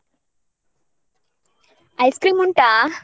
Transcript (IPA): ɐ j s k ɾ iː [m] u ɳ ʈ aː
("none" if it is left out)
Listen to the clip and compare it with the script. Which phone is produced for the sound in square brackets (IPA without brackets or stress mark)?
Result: m